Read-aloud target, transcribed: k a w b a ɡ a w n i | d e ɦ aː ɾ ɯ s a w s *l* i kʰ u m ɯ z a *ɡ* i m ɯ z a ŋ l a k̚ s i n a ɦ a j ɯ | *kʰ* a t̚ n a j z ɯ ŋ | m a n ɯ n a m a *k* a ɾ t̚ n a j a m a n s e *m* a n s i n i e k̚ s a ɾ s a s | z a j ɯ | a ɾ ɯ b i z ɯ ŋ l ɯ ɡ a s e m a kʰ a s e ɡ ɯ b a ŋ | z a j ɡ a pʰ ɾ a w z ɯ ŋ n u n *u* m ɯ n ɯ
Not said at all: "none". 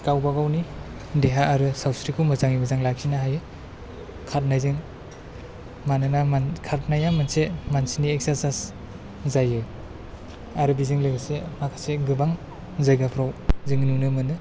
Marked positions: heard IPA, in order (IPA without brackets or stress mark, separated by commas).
ɾ, ŋ, kʰ, kʰ, m, ɯ